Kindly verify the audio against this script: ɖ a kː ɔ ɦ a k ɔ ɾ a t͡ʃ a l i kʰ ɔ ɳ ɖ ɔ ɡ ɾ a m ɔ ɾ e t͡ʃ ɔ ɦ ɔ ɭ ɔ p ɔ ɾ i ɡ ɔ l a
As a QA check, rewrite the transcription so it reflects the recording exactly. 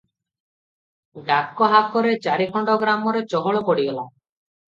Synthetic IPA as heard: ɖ a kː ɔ ɦ a k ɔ ɾ e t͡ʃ a ɾ i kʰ ɔ ɳ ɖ ɔ ɡ ɾ a m ɔ ɾ e t͡ʃ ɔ ɦ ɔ ɭ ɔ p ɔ ɽ i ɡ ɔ l a